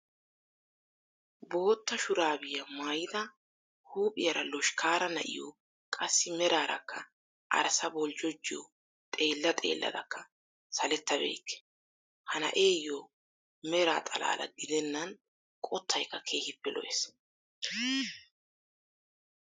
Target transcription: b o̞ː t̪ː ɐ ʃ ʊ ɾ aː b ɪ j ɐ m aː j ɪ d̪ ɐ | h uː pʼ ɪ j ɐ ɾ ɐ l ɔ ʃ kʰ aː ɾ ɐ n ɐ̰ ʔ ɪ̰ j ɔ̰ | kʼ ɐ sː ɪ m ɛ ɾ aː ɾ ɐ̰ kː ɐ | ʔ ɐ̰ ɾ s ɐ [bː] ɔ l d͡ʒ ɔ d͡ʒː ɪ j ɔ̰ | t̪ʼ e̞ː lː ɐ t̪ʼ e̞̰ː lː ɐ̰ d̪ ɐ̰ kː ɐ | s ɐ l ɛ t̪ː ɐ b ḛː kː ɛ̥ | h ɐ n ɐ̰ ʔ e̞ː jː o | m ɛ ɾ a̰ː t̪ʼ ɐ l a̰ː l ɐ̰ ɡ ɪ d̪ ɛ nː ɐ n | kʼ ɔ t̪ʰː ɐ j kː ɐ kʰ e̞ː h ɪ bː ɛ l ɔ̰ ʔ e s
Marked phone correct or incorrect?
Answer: incorrect